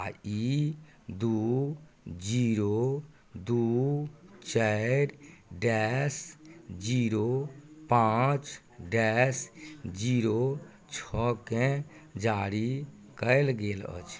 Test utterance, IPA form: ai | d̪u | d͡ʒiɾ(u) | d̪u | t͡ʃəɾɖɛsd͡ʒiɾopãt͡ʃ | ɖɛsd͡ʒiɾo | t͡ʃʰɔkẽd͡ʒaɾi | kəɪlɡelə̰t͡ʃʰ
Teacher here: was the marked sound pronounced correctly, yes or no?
no